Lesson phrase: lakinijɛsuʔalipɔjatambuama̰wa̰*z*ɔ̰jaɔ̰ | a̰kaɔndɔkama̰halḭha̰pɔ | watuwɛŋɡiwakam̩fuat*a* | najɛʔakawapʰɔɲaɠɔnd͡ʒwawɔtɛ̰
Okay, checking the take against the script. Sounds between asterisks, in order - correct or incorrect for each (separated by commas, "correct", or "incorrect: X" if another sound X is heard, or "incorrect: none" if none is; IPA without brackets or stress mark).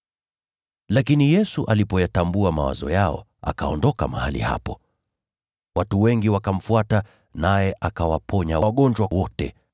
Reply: correct, correct